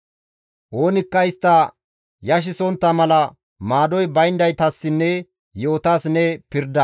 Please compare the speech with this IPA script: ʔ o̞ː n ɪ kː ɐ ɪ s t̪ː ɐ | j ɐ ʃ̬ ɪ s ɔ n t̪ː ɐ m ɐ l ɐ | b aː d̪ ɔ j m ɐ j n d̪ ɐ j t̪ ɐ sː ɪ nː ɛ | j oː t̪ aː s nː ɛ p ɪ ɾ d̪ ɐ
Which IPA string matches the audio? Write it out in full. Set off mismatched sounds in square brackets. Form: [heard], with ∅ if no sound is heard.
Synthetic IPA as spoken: ʔ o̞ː n ɪ kː ɐ ɪ s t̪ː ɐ | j ɐ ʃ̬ ɪ s ɔ n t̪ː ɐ m ɐ l ɐ | [m] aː d̪ ɔ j [b] ɐ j n d̪ ɐ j t̪ ɐ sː ɪ nː ɛ | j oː t̪ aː s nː ɛ p ɪ ɾ d̪ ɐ